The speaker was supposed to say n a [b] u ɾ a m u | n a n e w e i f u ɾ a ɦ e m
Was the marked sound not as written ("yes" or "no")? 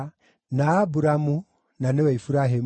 no